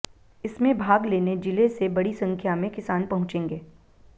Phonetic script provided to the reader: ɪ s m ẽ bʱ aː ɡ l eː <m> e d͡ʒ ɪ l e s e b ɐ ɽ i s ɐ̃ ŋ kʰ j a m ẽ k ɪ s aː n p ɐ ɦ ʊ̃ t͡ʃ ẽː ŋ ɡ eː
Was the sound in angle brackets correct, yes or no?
no